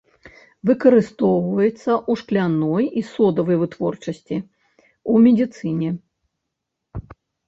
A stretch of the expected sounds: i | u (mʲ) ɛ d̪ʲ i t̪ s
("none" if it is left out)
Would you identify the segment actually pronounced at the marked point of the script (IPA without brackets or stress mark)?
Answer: mʲ